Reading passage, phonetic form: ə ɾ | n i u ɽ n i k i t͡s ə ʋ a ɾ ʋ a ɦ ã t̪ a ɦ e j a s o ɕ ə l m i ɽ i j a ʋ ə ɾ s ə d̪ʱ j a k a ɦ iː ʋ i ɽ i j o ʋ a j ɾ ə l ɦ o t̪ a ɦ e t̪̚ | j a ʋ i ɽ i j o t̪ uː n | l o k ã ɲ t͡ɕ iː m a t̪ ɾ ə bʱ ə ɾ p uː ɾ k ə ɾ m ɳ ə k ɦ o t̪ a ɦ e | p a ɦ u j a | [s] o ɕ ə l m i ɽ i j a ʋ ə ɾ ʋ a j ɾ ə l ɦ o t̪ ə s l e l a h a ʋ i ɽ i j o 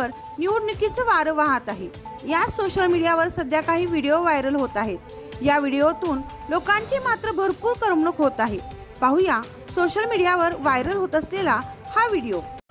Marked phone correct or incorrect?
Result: correct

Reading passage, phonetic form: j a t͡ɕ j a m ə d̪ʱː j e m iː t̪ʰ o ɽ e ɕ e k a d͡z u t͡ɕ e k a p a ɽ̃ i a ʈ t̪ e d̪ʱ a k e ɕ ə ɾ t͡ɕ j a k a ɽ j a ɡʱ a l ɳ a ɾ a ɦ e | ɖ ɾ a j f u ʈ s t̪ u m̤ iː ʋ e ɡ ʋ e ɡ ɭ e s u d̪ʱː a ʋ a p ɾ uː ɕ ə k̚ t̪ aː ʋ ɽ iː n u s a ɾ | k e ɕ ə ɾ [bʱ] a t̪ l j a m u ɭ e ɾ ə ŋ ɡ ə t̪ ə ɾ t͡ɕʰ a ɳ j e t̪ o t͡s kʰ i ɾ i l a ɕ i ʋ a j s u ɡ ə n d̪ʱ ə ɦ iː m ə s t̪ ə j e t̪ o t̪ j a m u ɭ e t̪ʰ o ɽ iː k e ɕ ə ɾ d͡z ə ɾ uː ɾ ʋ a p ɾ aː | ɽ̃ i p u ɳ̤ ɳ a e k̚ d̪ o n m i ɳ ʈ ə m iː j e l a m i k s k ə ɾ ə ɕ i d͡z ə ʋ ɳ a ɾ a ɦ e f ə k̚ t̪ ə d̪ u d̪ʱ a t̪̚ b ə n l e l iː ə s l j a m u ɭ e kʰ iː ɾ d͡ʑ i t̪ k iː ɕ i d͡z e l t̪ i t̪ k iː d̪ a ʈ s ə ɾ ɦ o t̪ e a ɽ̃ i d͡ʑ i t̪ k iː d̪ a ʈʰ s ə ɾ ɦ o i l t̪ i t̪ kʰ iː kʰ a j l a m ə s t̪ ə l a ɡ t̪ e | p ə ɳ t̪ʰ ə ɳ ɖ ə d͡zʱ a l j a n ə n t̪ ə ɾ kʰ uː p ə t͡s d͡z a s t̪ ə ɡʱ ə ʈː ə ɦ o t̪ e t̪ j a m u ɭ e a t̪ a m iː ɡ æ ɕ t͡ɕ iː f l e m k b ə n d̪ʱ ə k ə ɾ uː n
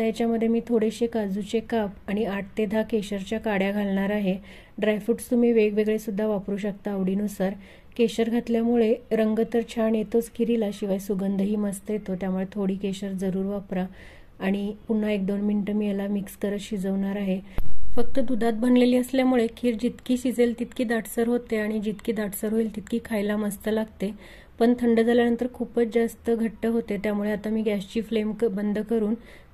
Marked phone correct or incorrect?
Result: incorrect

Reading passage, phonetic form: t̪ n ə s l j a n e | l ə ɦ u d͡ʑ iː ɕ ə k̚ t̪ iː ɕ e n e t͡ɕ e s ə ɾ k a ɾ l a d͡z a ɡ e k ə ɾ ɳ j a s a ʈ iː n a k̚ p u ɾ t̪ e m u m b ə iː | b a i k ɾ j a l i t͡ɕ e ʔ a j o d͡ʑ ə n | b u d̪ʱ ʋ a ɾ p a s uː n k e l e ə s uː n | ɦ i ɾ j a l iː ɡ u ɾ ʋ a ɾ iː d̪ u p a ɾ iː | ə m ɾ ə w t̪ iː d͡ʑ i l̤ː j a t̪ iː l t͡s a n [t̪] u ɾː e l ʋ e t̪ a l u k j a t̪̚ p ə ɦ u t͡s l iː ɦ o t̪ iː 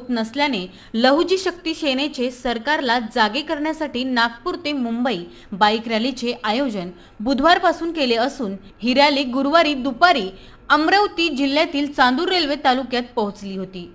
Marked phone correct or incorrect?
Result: incorrect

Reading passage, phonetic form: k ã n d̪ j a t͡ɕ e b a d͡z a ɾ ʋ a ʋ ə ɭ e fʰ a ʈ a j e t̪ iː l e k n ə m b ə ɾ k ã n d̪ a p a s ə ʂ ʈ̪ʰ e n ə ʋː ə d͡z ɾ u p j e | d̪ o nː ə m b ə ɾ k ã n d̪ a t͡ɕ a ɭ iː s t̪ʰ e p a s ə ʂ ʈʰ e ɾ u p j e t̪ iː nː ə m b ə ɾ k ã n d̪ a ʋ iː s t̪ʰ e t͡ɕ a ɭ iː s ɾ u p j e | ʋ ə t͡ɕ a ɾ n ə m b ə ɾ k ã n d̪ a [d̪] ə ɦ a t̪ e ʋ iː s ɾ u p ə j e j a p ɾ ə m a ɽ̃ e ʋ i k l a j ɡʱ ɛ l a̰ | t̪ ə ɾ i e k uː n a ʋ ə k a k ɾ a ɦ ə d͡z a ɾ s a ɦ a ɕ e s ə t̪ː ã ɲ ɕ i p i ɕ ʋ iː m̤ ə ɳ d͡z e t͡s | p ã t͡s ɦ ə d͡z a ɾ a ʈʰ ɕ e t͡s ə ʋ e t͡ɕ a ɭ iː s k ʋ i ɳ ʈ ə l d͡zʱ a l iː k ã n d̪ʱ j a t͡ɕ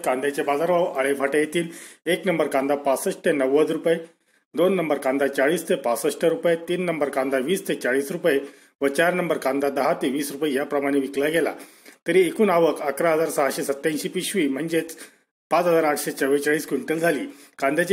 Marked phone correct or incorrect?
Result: correct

